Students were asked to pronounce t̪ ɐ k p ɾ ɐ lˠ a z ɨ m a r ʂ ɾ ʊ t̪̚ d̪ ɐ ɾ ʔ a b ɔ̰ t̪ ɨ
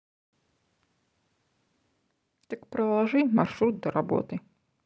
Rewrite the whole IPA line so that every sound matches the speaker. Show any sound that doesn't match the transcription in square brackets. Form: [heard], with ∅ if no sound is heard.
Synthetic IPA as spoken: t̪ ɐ k p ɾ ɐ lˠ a [ʐ] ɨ m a r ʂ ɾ [u] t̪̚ d̪ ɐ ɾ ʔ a b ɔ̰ t̪ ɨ